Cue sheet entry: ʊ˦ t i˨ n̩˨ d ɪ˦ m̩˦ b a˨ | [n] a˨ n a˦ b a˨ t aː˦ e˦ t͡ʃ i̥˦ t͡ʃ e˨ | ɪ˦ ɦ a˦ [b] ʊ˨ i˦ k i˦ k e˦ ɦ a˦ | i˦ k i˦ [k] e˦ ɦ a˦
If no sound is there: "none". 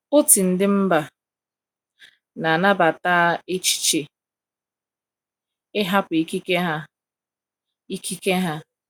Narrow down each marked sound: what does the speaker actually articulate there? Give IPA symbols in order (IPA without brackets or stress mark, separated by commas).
n, p, k